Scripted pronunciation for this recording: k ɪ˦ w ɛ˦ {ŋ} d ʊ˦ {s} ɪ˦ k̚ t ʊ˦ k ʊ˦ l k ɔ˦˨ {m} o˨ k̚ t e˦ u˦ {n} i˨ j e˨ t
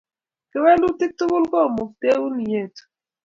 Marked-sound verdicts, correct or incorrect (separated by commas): incorrect, incorrect, correct, correct